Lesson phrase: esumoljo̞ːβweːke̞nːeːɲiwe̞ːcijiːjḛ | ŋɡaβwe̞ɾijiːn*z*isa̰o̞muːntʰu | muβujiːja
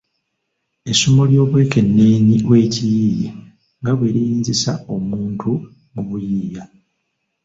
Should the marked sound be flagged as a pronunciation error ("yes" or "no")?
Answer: no